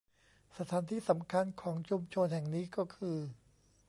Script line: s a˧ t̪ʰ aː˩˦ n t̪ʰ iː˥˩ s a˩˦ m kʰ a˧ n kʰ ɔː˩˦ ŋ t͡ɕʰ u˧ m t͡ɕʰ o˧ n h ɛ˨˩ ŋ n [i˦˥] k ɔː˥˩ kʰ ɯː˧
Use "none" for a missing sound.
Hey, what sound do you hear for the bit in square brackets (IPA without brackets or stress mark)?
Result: iː˦˥